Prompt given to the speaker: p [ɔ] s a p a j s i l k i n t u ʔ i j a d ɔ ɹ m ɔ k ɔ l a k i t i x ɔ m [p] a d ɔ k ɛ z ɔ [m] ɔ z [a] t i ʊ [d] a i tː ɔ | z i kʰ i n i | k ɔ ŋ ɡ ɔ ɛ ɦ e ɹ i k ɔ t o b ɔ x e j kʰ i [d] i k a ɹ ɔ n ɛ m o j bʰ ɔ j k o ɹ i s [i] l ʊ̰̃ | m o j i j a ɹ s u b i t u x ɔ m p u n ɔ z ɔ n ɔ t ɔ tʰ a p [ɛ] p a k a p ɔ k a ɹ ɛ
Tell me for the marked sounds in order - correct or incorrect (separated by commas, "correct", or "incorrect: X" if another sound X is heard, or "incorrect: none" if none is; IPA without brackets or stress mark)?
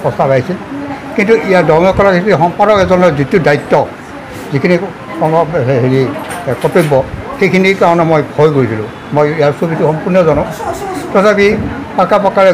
correct, correct, incorrect: n, incorrect: i, correct, incorrect: n, correct, incorrect: i